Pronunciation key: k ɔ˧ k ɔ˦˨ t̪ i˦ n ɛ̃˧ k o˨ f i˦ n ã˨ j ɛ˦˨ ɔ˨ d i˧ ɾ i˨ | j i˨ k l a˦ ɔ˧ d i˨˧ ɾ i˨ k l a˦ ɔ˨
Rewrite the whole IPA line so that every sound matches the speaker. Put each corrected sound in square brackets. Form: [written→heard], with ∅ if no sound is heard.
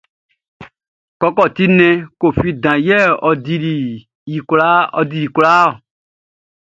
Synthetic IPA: k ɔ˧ k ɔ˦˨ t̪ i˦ n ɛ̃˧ k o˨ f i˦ [n→d] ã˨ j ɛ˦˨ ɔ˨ d i˧ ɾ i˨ | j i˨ k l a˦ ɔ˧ d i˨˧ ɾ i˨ k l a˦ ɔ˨